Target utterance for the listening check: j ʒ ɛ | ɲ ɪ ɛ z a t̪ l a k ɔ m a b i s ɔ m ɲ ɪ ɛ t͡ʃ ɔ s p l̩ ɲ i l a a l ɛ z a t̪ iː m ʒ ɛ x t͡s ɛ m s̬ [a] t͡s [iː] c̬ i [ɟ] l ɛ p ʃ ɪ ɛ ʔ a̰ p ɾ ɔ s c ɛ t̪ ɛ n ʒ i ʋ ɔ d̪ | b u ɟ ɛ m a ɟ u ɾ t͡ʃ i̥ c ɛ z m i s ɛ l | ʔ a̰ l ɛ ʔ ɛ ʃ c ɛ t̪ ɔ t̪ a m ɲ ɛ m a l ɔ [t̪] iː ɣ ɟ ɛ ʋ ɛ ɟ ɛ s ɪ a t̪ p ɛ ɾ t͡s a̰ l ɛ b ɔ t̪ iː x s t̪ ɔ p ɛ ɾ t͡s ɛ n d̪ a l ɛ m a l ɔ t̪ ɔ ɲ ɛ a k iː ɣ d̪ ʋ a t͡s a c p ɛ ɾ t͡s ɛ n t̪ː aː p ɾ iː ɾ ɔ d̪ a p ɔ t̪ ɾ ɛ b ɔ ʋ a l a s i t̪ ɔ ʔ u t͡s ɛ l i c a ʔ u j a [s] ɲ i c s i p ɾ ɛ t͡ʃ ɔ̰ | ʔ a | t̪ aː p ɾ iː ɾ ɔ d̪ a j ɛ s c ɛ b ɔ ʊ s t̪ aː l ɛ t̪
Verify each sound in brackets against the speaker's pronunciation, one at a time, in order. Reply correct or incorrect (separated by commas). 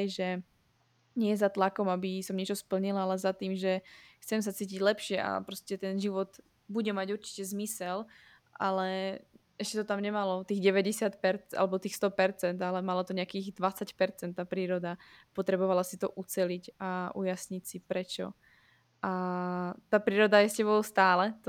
correct, correct, correct, correct, correct